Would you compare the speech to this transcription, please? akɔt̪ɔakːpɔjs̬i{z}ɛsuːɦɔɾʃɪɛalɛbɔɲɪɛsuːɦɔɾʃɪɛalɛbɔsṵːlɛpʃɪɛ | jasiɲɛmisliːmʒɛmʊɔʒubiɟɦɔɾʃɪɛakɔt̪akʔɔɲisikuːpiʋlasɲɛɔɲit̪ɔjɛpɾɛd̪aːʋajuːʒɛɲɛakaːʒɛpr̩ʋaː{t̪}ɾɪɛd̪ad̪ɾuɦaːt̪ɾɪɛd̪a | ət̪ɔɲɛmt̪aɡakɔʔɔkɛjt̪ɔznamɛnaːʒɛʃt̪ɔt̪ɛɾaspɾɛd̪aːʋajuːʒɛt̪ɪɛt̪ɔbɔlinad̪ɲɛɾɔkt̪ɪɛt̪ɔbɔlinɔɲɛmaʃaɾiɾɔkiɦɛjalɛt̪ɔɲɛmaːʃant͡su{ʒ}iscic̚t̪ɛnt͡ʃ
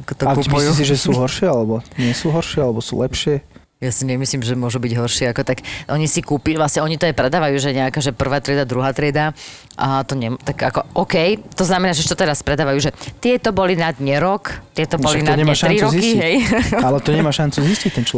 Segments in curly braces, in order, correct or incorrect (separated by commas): incorrect, correct, incorrect